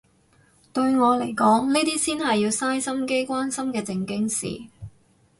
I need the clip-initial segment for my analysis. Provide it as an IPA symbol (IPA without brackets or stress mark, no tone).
t̪